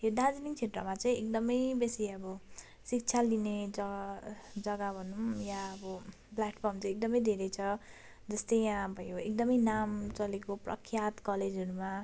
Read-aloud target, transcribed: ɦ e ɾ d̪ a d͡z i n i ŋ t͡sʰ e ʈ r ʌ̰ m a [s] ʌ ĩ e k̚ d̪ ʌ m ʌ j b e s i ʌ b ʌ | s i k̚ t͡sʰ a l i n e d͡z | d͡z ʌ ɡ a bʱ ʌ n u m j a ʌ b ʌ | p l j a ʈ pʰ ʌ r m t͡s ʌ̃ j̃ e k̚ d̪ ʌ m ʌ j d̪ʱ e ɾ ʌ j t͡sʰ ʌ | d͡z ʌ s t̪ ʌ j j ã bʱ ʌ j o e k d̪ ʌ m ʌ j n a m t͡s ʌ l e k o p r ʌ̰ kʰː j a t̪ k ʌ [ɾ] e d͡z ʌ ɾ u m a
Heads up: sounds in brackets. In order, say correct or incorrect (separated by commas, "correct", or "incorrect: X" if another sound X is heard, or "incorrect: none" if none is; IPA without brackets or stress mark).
incorrect: t͡s, incorrect: l